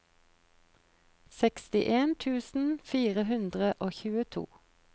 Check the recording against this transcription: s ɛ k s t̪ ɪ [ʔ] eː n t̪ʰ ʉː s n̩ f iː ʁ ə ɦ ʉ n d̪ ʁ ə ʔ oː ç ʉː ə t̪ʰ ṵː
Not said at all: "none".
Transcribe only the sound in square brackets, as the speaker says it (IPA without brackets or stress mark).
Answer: ʔ